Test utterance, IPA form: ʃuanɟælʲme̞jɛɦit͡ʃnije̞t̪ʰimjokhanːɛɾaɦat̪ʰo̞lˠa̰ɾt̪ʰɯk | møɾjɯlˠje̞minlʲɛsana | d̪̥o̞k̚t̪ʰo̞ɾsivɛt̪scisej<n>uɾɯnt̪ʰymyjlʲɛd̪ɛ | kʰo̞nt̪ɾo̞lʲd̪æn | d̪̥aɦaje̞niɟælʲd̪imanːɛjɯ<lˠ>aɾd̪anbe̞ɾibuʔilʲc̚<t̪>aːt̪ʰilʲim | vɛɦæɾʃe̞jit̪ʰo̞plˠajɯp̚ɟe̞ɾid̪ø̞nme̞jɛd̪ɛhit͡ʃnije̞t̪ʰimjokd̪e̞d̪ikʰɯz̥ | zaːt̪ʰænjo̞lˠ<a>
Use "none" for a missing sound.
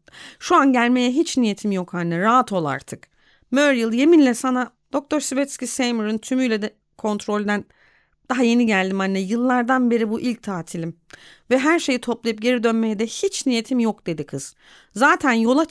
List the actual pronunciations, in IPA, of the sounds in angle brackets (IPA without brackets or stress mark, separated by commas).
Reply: m, lˠː, t̪ʰ, a